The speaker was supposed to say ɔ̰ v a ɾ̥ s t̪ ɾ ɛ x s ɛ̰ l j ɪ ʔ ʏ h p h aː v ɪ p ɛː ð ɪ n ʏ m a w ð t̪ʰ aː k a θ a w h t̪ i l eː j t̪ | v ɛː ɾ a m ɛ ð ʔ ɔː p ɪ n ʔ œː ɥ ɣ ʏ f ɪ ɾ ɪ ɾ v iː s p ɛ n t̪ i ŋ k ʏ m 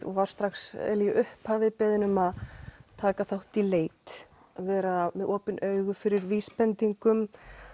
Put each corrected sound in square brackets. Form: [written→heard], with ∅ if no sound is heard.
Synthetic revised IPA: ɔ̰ v a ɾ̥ s t̪ ɾ [ɛ→a] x s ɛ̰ l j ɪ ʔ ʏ h p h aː v ɪ p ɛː ð ɪ n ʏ m a [w→∅] ð t̪ʰ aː k a θ a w h t̪ i l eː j t̪ | v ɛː ɾ a m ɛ ð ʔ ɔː p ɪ n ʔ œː ɥ ɣ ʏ f ɪ ɾ ɪ ɾ v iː s p ɛ n t̪ i ŋ k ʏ m